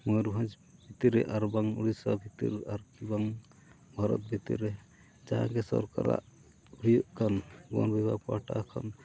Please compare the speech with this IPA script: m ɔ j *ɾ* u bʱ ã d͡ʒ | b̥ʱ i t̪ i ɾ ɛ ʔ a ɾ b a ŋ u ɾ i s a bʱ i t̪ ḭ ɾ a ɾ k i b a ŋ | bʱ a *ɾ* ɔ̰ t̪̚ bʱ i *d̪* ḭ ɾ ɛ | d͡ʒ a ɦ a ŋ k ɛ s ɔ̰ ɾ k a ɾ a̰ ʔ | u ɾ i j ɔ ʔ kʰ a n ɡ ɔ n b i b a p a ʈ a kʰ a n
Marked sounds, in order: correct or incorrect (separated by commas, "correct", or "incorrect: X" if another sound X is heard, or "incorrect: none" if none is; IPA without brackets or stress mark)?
correct, correct, incorrect: t̪